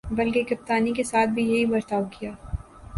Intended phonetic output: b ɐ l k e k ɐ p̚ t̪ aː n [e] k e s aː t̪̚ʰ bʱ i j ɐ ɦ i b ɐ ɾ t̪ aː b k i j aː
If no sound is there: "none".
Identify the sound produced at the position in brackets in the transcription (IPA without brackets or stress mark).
i